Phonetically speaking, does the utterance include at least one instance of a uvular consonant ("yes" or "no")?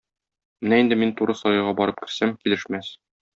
yes